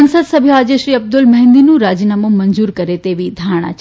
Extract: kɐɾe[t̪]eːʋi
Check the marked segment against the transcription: correct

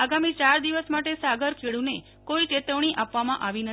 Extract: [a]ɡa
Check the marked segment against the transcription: correct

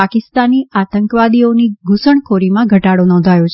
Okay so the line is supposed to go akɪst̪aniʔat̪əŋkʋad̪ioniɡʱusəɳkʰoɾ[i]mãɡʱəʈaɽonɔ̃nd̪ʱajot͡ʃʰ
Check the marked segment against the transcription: correct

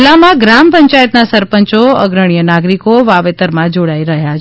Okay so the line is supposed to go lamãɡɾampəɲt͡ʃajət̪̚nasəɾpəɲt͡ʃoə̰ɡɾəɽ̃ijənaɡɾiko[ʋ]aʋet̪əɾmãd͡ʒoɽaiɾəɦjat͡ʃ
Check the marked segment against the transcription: correct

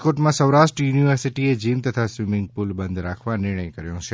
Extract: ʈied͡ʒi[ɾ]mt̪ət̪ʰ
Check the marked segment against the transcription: incorrect: none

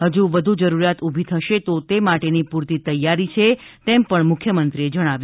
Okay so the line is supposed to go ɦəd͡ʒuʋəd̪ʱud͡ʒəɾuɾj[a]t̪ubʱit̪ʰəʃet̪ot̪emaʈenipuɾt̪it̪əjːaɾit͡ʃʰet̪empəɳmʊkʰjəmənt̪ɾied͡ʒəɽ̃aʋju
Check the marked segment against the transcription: correct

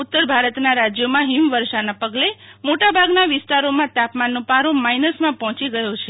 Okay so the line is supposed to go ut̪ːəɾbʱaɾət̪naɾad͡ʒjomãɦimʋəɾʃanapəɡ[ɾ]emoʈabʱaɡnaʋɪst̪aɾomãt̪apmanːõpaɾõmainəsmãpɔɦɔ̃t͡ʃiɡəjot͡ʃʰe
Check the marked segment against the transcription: incorrect: l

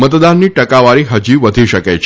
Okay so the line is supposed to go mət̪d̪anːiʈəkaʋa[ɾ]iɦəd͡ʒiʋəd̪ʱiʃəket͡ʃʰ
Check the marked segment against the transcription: correct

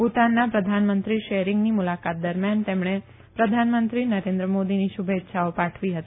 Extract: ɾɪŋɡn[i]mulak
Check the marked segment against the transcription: correct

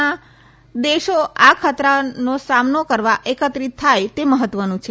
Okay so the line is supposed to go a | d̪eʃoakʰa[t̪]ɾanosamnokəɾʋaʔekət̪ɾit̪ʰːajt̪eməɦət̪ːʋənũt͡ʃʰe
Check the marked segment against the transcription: correct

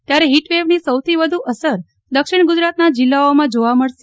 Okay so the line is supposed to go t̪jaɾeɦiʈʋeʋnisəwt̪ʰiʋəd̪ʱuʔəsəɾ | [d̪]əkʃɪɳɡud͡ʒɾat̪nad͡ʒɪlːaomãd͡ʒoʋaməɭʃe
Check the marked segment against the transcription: correct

